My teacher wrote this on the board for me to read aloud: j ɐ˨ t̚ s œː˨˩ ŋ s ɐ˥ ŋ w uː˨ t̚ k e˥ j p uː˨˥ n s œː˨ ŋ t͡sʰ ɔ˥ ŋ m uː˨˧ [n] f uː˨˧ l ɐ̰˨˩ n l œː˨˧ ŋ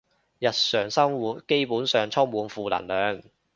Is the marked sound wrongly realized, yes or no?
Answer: no